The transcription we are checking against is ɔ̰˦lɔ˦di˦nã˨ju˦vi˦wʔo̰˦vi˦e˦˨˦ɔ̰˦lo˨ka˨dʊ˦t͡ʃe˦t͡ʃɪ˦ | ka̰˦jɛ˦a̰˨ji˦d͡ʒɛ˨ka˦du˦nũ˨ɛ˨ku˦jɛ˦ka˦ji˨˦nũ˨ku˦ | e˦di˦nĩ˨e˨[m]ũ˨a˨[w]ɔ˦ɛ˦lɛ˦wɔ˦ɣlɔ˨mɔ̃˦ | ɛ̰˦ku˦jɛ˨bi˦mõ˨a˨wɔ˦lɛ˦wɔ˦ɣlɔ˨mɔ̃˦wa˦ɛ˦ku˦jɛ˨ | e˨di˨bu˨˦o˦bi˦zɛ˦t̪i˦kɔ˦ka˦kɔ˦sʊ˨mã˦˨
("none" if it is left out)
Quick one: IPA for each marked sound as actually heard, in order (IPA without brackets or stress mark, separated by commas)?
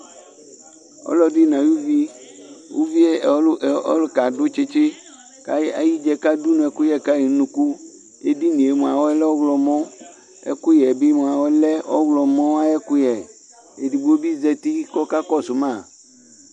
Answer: m, w